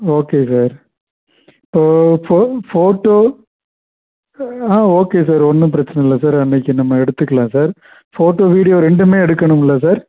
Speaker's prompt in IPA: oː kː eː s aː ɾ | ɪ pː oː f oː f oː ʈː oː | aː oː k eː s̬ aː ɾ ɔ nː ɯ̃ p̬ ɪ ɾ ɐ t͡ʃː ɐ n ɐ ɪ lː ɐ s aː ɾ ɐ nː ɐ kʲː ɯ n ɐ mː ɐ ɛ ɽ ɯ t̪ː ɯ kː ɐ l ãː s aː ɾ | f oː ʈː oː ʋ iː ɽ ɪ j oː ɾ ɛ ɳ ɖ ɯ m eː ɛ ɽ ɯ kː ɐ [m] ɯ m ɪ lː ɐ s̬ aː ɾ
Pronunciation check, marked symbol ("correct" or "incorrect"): incorrect